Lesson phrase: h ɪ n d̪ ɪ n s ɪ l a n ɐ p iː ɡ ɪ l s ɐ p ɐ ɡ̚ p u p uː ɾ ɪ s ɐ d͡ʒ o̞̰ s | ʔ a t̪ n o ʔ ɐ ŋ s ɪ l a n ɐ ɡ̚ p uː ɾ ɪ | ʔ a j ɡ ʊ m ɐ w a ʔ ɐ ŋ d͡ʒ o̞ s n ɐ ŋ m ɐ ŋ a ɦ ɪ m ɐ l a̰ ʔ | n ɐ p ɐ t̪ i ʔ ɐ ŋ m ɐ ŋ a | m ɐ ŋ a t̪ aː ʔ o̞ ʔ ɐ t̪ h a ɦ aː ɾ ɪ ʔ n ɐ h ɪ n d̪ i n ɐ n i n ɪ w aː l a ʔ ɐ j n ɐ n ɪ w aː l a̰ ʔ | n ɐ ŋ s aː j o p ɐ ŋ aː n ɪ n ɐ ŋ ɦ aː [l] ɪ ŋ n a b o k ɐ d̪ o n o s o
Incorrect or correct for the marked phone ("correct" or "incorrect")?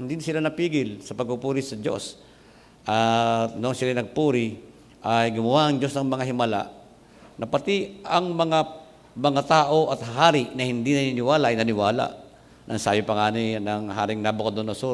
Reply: incorrect